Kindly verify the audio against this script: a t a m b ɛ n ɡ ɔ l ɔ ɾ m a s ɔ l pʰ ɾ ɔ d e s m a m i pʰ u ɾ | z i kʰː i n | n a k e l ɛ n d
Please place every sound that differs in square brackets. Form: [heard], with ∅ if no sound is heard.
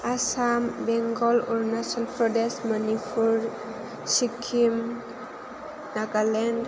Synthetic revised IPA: a [s] a m b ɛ [ŋ] ɡ ɔ l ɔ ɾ [n] a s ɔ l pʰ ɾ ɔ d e s m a [n] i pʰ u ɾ | [s] i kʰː i [m] | n a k [a] l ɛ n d